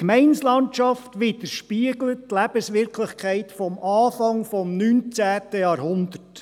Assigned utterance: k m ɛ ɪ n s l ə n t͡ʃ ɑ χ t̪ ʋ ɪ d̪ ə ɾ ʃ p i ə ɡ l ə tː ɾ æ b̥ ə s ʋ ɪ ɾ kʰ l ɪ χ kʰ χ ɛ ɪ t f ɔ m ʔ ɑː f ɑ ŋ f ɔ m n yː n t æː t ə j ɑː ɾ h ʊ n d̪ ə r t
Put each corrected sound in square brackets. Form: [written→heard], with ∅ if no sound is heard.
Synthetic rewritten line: k m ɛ ɪ n s l [ə→ɑ] n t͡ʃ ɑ [χ→f] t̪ ʋ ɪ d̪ ə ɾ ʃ p i ə ɡ l ə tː [ɾ→l] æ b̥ ə s ʋ ɪ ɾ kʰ l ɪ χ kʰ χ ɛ ɪ t f ɔ m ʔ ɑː f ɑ ŋ f ɔ m n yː n [t→t͡s] æː t ə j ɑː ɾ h ʊ n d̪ ə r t